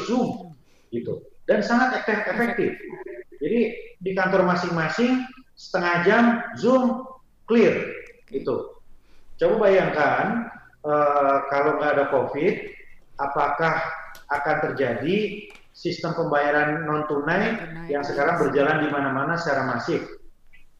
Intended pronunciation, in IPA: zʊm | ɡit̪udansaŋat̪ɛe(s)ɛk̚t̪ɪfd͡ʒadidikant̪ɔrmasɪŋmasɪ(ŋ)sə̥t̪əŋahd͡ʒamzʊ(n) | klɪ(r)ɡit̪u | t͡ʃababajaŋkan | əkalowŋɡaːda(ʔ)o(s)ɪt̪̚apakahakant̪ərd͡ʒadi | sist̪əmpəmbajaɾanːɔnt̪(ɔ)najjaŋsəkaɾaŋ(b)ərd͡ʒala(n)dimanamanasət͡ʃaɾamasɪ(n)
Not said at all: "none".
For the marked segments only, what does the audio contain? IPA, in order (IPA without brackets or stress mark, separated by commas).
f, ŋ, m, r, k, f, u, b, n, ŋ